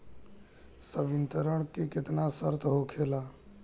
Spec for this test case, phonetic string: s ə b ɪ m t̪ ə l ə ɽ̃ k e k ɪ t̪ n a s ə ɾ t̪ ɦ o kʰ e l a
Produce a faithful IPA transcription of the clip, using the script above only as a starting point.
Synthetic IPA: s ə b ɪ n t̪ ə ɾ ə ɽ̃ k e k ɪ t̪ n a s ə ɾ t̪ ɦ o kʰ e l a

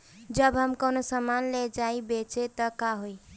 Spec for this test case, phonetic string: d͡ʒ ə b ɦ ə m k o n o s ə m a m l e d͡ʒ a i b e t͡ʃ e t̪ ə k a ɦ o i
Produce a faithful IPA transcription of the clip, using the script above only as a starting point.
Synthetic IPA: d͡ʒ ə b ɦ ə m k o n o s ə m a n l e d͡ʒ a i b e t͡ʃ e t̪ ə k a ɦ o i

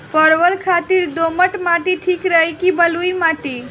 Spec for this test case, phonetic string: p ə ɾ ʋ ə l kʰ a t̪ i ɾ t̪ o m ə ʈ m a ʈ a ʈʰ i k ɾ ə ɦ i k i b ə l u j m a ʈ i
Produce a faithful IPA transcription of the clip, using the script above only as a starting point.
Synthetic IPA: p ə ɾ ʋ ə l kʰ a t̪ i ɾ d̪ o m ə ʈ m a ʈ i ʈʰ i k ɾ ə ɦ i k i b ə l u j m a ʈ i

